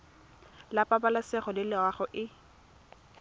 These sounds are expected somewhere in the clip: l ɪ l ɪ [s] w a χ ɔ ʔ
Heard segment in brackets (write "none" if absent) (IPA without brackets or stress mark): none